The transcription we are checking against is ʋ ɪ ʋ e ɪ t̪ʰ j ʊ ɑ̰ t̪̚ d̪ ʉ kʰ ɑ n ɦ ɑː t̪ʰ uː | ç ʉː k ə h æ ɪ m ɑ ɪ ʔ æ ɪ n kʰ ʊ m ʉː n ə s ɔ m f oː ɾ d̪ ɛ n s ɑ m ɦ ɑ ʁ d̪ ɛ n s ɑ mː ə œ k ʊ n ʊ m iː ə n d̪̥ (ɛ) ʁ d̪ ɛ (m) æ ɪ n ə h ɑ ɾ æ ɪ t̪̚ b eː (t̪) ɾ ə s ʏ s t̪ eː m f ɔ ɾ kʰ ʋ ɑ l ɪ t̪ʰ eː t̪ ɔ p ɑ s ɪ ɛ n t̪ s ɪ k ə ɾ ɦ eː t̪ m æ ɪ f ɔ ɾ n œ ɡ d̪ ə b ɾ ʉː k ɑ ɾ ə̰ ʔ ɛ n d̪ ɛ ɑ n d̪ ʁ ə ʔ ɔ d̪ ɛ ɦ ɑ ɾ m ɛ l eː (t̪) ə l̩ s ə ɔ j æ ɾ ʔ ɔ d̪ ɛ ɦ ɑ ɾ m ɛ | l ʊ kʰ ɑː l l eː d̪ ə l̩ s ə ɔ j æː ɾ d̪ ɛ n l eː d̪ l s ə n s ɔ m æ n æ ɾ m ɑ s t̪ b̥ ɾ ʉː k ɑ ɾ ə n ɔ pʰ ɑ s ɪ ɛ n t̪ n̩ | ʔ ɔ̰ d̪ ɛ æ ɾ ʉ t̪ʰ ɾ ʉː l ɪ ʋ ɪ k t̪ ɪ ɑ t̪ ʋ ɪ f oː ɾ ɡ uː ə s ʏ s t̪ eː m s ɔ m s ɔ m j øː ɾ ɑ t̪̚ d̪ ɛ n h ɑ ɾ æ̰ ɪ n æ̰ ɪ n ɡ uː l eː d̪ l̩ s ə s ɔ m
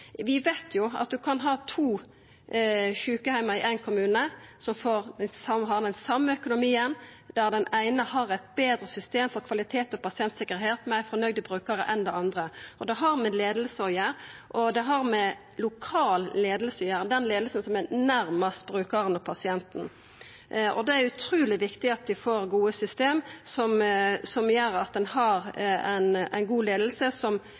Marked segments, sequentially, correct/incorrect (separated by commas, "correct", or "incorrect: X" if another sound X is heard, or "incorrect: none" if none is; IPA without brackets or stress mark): incorrect: æ, incorrect: n, incorrect: d̪, incorrect: d̪